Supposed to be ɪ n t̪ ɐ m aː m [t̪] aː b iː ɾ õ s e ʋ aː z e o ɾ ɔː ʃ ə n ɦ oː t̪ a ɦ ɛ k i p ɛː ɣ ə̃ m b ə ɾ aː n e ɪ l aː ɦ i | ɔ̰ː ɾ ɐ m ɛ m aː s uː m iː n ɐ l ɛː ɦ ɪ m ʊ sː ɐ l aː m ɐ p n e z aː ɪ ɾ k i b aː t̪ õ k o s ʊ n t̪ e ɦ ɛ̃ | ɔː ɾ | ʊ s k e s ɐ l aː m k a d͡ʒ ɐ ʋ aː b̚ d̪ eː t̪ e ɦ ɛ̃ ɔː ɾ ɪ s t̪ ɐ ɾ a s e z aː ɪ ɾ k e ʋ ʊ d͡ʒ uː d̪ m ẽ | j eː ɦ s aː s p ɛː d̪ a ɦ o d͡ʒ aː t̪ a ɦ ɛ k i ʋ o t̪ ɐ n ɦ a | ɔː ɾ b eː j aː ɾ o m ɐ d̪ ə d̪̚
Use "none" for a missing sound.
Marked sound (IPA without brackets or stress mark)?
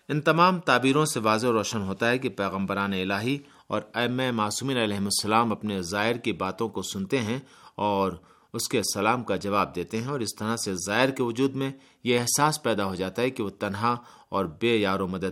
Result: t̪